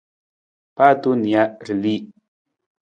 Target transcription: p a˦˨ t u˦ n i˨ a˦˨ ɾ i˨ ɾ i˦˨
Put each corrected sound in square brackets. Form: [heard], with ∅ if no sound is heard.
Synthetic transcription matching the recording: p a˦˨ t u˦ n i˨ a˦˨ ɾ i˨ [l] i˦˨